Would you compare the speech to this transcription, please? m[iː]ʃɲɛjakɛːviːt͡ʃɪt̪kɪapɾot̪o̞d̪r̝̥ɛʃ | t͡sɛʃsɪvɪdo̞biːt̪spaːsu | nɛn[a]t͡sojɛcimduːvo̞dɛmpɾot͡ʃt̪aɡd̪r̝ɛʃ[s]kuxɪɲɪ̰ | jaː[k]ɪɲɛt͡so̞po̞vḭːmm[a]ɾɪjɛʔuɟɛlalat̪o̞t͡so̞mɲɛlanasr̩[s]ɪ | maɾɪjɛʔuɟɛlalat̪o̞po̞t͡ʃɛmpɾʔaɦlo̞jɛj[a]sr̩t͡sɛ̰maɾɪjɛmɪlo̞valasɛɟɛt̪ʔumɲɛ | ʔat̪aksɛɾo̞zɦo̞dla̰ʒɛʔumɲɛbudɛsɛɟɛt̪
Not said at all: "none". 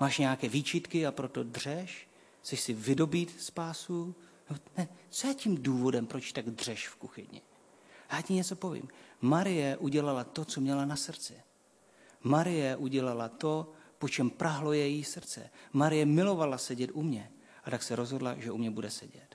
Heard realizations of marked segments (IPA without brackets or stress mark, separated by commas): aː, ɛ, f, c, a, t͡s, i